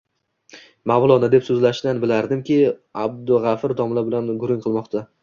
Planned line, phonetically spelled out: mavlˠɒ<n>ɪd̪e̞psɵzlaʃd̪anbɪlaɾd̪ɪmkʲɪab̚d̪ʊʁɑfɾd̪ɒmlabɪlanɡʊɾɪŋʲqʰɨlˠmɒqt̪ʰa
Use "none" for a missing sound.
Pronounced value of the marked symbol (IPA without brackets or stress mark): n